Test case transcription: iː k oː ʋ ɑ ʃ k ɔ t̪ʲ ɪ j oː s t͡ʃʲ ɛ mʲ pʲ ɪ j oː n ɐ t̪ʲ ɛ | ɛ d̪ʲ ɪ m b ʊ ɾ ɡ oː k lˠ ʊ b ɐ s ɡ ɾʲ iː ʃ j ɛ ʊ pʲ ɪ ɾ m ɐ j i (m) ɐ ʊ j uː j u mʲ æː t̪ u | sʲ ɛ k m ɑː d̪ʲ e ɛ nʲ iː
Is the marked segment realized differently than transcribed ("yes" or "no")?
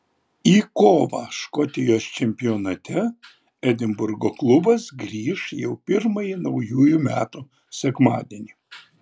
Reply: yes